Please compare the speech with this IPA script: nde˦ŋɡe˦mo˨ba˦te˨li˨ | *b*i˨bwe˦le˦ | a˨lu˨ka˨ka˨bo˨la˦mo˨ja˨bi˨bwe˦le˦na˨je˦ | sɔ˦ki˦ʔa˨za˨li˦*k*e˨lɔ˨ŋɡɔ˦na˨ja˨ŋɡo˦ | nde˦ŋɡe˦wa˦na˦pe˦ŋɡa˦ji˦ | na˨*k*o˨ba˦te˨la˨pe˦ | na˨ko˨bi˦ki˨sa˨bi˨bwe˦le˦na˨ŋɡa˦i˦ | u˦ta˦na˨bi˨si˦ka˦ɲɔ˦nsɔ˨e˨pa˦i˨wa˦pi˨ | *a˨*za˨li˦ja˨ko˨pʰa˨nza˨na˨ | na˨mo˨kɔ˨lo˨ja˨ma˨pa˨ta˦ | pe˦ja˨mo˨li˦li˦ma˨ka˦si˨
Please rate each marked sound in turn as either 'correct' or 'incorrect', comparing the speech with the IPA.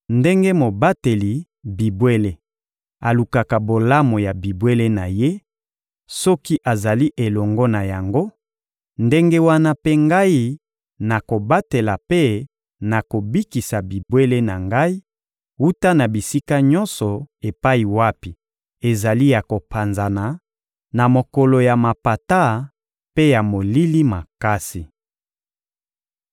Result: correct, incorrect: ʔ, correct, incorrect: e˨

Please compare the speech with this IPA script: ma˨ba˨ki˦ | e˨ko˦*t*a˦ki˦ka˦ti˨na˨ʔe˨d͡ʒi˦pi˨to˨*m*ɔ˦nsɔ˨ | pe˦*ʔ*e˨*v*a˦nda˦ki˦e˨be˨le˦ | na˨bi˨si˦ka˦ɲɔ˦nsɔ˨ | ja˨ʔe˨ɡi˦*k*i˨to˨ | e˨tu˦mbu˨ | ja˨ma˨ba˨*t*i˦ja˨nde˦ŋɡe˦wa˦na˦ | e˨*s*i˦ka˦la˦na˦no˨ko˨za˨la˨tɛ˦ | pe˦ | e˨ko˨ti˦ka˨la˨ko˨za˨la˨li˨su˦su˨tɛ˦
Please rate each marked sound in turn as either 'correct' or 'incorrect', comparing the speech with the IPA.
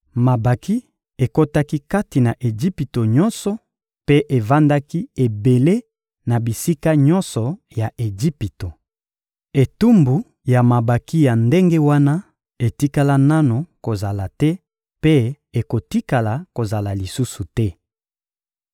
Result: correct, incorrect: ɲ, correct, correct, incorrect: p, incorrect: k, incorrect: t

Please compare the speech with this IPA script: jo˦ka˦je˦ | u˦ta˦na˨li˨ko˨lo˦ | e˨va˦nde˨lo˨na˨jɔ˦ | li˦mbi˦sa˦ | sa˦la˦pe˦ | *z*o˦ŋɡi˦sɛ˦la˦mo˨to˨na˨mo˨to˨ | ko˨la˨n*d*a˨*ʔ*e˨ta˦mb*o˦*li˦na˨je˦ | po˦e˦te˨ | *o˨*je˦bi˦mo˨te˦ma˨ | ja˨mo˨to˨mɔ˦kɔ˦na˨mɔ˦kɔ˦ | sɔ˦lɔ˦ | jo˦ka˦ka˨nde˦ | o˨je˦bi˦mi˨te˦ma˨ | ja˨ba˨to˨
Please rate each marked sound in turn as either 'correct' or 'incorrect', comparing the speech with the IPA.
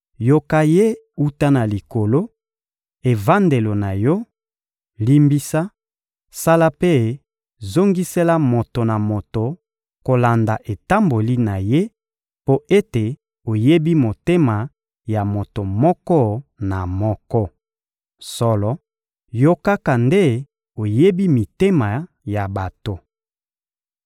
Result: correct, correct, correct, incorrect: o˨, correct

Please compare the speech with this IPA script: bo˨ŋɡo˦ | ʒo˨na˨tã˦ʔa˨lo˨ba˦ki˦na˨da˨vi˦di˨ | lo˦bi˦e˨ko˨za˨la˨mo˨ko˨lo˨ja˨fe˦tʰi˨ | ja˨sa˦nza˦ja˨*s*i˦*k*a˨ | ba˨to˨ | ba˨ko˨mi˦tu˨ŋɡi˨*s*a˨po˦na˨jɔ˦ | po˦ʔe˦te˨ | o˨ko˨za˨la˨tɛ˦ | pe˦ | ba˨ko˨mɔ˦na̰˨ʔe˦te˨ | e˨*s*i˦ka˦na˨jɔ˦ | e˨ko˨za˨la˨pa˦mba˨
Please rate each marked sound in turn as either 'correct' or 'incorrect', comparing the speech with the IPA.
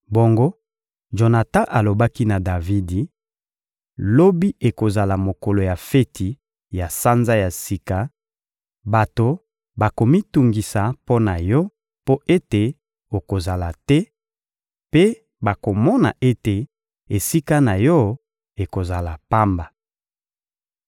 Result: correct, correct, correct, correct

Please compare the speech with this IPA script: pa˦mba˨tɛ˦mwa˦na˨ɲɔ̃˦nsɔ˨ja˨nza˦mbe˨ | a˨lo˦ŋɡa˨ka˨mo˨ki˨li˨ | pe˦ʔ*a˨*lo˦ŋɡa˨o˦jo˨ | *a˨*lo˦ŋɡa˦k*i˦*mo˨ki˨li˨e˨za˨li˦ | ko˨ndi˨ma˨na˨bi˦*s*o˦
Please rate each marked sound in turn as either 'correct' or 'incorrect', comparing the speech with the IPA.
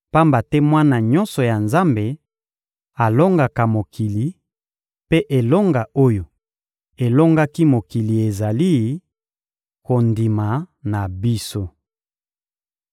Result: incorrect: e˨, incorrect: e˨, correct, correct

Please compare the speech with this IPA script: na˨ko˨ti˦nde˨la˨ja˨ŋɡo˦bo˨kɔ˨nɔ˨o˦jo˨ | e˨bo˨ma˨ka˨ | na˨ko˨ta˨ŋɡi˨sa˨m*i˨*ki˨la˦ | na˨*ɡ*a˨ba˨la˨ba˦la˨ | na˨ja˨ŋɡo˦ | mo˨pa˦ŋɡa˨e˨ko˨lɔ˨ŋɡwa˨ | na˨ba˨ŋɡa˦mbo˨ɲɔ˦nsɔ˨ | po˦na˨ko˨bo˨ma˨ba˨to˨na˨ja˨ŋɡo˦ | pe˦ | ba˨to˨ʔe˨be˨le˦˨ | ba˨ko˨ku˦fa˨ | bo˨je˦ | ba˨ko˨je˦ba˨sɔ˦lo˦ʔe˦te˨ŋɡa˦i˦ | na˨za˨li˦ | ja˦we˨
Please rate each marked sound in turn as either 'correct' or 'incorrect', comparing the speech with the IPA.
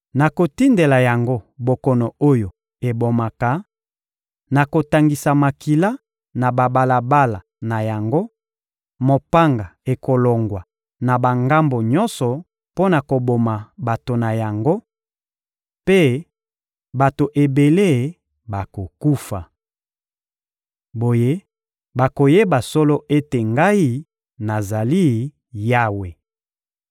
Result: incorrect: a˨, incorrect: b

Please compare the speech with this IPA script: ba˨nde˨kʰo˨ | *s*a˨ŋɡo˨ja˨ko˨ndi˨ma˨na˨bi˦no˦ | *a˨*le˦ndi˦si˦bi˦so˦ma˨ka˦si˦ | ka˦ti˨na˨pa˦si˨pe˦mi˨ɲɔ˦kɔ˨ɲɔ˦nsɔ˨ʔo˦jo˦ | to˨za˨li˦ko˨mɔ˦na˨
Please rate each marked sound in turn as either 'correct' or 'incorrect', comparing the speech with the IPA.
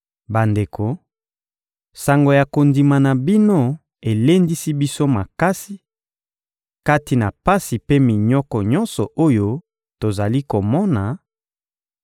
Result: correct, incorrect: e˨

